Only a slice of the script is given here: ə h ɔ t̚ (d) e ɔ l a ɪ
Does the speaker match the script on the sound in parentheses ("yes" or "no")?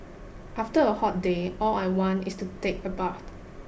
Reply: yes